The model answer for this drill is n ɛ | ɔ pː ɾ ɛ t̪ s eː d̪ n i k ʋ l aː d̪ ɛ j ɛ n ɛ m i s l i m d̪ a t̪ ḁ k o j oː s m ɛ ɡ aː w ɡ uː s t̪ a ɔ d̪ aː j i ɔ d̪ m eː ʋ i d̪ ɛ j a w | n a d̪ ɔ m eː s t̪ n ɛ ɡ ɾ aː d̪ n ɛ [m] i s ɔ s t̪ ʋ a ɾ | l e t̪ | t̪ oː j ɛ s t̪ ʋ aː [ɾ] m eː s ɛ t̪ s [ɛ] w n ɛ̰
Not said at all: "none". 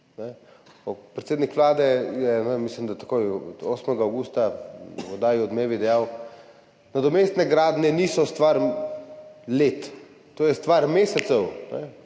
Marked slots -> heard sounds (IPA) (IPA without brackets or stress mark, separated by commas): n, ɾ, ɛ